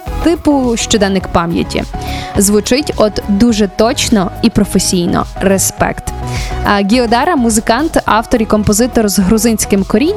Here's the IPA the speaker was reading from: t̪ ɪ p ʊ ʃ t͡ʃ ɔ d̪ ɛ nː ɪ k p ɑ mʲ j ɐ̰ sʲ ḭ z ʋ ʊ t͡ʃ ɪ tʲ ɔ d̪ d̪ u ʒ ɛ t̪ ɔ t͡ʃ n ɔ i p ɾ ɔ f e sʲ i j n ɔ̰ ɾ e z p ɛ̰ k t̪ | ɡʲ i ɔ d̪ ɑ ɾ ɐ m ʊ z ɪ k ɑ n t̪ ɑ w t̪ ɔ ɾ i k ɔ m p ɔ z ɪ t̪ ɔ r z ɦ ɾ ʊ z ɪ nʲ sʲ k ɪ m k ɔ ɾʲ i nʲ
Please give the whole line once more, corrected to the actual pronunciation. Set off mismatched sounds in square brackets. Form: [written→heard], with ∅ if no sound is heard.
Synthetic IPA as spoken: t̪ ɪ p ʊ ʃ t͡ʃ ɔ d̪ ɛ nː ɪ k p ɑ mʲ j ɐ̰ [sʲ→tʲ] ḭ z ʋ ʊ t͡ʃ ɪ tʲ ɔ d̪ d̪ u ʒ ɛ t̪ ɔ t͡ʃ n ɔ i p ɾ ɔ f e sʲ i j n ɔ̰ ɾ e [z→s] p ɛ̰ k t̪ | ɡʲ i ɔ d̪ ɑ ɾ ɐ m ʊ z ɪ k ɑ n t̪ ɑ w t̪ ɔ ɾ i k ɔ m p ɔ z ɪ t̪ ɔ r z ɦ ɾ ʊ z ɪ nʲ sʲ k ɪ m k ɔ ɾʲ i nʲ